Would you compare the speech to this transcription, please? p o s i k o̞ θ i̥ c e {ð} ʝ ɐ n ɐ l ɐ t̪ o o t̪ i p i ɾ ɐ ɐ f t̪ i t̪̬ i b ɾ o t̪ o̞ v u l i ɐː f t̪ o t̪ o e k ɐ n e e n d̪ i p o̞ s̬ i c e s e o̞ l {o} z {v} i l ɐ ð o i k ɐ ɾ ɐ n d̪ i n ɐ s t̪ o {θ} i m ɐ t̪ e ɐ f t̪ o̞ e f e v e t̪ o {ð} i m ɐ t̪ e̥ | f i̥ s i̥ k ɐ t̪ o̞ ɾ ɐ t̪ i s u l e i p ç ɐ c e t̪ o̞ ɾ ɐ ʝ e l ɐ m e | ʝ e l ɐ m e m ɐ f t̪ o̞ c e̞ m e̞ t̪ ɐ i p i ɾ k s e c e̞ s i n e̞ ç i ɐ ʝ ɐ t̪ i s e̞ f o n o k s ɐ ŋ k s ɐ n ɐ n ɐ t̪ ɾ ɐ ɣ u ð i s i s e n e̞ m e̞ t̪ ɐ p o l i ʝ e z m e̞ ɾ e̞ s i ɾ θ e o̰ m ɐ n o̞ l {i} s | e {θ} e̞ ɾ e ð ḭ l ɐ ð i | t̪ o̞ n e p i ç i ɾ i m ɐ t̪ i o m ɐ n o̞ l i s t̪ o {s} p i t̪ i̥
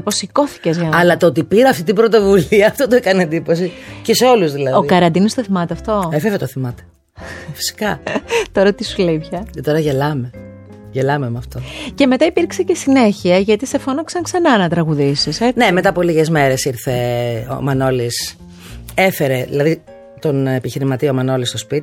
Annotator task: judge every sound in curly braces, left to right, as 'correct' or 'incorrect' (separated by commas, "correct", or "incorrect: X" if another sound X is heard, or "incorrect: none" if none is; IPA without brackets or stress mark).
incorrect: z, incorrect: u, incorrect: ð, correct, incorrect: θ, correct, incorrect: f, correct